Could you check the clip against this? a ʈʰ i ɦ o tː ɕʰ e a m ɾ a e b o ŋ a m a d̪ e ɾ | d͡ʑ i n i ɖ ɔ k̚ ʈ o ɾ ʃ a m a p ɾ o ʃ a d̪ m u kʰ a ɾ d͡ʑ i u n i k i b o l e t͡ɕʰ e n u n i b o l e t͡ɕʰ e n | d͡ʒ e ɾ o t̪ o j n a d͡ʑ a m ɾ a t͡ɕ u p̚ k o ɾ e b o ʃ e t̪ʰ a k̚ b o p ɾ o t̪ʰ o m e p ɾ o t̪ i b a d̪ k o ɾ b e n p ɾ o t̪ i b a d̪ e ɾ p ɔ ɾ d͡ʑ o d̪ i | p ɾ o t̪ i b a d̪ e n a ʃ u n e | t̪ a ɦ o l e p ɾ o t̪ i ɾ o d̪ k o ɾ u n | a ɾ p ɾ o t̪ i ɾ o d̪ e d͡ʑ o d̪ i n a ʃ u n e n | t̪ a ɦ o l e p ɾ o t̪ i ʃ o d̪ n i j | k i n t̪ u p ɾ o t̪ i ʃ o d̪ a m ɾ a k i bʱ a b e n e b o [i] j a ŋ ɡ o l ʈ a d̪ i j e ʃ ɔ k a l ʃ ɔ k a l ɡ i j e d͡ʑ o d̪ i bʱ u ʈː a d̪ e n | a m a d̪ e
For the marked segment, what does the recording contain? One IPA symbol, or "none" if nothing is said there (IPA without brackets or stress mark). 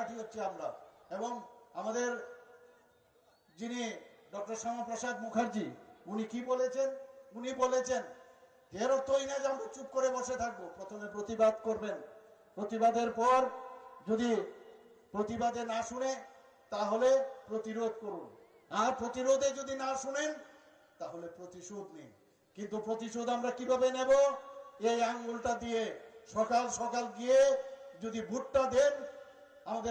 e